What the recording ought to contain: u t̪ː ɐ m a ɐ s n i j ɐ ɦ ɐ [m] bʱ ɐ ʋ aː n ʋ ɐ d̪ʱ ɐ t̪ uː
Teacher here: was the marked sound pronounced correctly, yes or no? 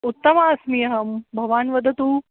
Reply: yes